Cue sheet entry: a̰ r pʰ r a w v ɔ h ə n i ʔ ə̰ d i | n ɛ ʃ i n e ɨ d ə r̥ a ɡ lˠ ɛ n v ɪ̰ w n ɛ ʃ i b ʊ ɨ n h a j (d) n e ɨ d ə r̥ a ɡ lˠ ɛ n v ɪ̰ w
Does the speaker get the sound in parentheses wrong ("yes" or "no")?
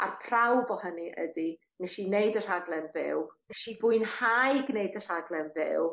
yes